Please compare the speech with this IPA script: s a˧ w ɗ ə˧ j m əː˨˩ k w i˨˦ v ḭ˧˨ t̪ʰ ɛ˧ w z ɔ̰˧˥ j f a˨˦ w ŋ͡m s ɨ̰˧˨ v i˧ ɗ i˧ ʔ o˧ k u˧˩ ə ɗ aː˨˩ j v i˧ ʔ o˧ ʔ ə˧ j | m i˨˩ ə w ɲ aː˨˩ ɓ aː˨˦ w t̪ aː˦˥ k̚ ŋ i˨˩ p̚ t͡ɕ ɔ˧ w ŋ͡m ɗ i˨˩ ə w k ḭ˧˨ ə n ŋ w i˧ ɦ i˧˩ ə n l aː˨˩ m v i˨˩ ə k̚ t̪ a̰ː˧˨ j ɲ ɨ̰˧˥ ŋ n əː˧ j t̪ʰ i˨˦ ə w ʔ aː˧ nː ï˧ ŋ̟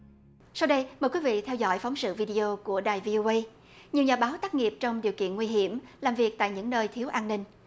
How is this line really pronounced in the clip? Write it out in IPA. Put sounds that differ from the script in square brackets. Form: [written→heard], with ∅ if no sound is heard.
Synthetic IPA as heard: s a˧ w ɗ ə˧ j m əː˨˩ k w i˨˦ v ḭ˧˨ t̪ʰ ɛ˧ w z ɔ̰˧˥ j f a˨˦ w ŋ͡m s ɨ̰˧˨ v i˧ ɗ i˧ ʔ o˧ k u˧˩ ə ɗ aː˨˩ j v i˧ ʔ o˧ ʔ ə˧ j | [m→ɲ] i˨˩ ə w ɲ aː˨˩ ɓ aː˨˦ w t̪ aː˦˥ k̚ ŋ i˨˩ p̚ t͡ɕ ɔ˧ w ŋ͡m ɗ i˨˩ ə w k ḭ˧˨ ə n ŋ w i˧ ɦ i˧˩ ə [n→m] l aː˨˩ m v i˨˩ ə k̚ t̪ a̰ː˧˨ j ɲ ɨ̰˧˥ ŋ n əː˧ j t̪ʰ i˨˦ ə w ʔ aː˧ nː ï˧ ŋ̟